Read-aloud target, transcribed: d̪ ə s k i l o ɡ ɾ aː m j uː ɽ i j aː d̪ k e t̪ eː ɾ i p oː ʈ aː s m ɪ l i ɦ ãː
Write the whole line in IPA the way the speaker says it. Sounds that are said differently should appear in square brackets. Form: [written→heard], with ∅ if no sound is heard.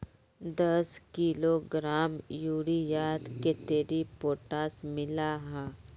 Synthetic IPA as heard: d̪ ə s k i l o ɡ ɾ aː m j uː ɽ i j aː d̪ k e t̪ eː ɾ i p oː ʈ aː s m ɪ l [i→a] ɦ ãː